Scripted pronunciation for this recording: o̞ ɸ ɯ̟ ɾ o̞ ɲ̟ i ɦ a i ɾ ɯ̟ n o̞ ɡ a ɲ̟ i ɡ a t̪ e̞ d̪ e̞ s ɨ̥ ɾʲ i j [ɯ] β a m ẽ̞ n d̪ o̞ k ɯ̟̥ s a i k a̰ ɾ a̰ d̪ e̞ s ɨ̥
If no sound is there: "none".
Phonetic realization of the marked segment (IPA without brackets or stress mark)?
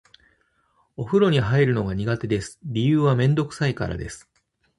ɯː